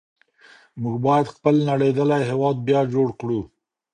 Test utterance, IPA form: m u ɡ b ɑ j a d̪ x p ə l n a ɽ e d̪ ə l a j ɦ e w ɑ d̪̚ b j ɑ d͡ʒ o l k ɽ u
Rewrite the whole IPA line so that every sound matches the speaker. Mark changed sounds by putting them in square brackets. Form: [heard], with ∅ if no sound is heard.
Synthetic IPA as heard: m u ɡ b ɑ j a d̪ x p ə l n a ɽ e d̪ ə l a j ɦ e w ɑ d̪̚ b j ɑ d͡ʒ o [ɽ] k ɽ u